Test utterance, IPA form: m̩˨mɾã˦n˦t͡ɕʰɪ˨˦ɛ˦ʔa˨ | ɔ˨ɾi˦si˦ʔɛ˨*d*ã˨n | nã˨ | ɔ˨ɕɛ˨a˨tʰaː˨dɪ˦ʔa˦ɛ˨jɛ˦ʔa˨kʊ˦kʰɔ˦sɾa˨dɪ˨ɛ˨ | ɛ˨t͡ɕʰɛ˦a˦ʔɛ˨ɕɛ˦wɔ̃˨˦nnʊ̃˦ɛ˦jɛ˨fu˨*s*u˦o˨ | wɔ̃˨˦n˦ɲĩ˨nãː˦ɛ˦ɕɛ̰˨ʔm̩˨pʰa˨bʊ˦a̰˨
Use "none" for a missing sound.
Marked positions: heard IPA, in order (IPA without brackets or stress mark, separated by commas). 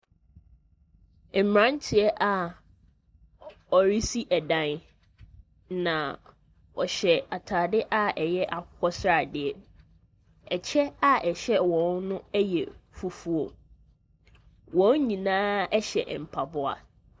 d, f